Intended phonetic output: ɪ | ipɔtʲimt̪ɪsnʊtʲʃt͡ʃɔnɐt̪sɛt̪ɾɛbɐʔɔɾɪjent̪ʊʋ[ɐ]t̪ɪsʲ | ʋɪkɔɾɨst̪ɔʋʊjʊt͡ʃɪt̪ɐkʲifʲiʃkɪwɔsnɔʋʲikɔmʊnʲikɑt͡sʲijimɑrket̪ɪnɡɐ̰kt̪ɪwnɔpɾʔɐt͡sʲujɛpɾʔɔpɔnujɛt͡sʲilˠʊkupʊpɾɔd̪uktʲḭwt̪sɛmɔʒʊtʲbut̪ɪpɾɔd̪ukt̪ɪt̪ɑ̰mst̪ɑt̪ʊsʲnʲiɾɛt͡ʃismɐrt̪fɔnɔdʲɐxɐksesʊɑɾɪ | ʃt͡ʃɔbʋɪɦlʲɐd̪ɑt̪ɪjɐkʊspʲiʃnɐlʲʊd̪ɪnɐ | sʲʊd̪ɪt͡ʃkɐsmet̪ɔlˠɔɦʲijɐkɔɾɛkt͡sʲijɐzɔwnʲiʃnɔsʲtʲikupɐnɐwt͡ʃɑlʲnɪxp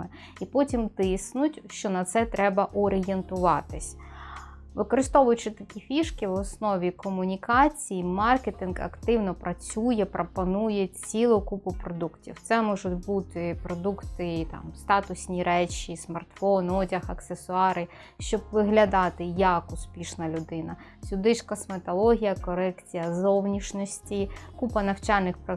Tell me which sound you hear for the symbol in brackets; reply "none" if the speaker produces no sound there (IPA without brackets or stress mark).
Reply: ɑ